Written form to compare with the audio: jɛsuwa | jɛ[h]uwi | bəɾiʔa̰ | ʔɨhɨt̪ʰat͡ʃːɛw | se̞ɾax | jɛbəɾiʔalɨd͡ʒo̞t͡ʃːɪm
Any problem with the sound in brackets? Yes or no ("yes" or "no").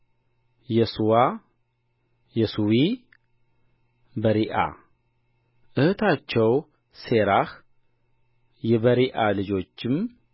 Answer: yes